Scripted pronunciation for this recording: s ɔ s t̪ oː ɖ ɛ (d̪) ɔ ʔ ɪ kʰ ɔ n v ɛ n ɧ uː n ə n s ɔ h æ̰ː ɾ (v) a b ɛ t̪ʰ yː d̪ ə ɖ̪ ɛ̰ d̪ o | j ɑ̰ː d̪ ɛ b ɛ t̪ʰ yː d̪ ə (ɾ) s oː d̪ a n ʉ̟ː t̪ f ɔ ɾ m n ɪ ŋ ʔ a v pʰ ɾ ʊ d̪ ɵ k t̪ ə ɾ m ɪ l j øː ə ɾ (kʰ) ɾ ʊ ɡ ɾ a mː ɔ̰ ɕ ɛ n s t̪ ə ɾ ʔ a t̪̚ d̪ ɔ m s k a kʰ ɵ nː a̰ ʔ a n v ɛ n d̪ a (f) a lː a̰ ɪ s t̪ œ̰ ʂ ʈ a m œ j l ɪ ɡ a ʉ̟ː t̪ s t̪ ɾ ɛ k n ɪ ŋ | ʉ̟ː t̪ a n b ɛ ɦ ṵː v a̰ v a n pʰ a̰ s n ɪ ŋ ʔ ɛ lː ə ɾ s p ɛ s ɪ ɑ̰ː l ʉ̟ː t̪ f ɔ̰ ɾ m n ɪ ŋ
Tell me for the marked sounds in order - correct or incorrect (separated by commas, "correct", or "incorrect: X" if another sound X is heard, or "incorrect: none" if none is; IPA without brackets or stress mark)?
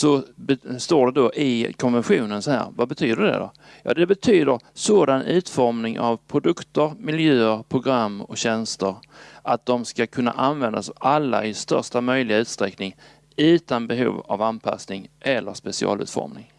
correct, correct, correct, incorrect: pʰ, incorrect: s